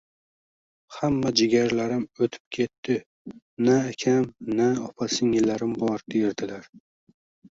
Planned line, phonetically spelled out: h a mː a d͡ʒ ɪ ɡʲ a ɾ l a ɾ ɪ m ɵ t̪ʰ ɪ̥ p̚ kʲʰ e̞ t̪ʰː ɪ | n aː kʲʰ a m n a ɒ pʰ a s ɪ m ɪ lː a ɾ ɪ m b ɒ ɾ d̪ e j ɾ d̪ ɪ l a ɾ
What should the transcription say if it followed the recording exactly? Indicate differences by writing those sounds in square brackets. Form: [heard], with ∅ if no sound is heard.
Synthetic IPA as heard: h a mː a d͡ʒ ɪ ɡʲ a ɾ l a ɾ ɪ m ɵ t̪ʰ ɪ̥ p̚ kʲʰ e̞ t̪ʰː ɪ | n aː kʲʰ a m n a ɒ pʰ a s ɪ [ŋ] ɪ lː a ɾ ɪ m b ɒ ɾ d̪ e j ɾ d̪ ɪ l a ɾ